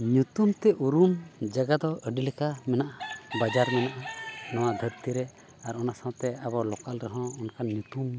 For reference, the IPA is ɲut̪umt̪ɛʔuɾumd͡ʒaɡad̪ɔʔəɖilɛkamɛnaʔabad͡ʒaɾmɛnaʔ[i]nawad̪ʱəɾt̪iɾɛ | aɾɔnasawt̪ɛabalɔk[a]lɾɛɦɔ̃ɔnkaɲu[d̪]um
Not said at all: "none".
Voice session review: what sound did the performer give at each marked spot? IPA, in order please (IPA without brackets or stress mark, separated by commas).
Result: a, a, t̪